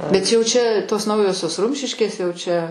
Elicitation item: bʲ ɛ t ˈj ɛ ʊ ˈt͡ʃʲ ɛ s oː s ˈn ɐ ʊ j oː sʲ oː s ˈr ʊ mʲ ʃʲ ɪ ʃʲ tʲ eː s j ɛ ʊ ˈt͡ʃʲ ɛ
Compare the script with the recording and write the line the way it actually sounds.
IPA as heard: bʲ ɛ t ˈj ɛ ʊ ˈt͡ʃʲ ɛ t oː s ˈn ɐ ʊ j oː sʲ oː s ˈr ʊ mʲ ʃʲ ɪ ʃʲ kʲ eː s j ɛ ʊ ˈt͡ʃʲ ɛ